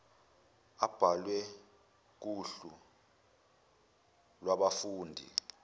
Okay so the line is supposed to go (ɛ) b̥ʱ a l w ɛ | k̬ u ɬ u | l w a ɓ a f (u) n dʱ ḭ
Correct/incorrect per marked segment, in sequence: incorrect: a, incorrect: uː

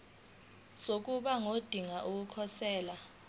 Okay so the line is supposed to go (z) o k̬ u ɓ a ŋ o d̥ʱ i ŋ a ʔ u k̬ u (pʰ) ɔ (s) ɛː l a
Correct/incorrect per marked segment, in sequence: incorrect: s, incorrect: kʰ, correct

